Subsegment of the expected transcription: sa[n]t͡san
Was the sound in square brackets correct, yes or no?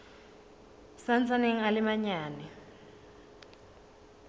yes